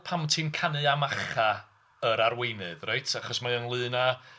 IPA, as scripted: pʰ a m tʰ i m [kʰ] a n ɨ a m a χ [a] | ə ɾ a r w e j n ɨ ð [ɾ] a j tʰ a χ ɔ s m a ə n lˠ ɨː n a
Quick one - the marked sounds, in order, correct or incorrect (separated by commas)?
correct, correct, incorrect